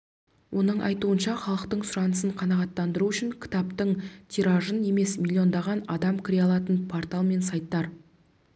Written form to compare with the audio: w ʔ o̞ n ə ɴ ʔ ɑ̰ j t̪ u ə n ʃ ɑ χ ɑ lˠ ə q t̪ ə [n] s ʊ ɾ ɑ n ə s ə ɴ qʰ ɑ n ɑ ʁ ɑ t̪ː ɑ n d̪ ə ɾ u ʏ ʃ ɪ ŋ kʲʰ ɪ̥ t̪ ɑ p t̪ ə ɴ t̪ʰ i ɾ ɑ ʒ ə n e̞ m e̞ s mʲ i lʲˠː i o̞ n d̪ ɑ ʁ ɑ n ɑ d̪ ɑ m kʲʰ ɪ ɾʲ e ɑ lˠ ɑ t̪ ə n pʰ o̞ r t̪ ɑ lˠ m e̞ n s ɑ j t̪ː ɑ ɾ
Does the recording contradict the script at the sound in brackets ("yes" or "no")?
yes